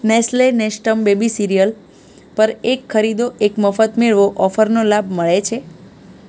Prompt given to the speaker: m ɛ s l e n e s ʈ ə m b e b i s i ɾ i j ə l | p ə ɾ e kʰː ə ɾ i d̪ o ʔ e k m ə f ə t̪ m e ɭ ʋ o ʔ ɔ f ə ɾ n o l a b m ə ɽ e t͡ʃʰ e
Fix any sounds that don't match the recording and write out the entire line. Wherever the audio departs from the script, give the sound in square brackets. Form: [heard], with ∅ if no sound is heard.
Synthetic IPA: [n] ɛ s l e n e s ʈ ə m b e b i s i ɾ i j ə l | p ə ɾ e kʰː ə ɾ i d̪ o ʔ e k m ə f ə t̪ m e ɭ ʋ o ʔ ɔ f ə ɾ n o l a b m ə [ɭ] e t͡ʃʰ e